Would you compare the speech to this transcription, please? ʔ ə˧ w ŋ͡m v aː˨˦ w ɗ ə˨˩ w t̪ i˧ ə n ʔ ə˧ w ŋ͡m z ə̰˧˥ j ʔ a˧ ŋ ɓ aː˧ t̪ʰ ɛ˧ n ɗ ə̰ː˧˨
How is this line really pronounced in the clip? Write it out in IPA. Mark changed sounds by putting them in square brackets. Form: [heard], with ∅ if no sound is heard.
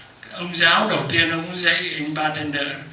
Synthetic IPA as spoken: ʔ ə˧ w ŋ͡m [z] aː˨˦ w ɗ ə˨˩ w t̪ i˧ ə n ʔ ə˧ w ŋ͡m z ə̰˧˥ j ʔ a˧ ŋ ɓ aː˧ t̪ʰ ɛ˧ n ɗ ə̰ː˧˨